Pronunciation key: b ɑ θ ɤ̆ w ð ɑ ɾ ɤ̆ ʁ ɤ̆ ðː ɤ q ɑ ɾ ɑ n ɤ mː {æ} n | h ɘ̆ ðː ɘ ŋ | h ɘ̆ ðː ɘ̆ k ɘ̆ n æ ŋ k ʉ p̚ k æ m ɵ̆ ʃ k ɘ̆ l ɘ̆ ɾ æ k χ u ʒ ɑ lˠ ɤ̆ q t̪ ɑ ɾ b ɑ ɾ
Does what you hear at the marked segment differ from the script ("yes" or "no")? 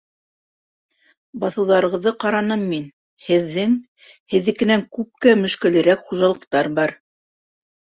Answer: yes